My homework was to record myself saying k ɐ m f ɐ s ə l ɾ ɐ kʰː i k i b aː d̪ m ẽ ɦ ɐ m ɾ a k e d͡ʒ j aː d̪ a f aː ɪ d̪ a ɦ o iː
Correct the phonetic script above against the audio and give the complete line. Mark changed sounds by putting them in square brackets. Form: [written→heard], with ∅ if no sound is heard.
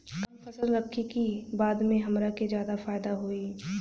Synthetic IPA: k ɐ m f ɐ s ə l ɾ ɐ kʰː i k i b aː d̪ m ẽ ɦ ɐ m ɾ a k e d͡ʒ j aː d̪ a f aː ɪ d̪ a ɦ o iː